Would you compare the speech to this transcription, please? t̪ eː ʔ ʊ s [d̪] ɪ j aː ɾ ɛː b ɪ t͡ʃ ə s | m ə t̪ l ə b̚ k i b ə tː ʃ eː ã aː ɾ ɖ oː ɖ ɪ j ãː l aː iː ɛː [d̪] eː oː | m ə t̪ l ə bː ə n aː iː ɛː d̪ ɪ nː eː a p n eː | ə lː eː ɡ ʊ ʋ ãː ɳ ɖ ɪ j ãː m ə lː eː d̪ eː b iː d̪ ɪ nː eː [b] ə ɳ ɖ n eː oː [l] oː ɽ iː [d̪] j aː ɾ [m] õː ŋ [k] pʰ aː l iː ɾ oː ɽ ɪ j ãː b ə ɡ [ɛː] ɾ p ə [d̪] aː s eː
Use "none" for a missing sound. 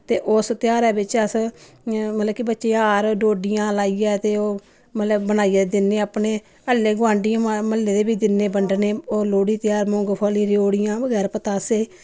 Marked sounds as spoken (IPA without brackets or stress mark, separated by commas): t̪, t̪, b, l, t̪, m, ɡ, ɛː, t̪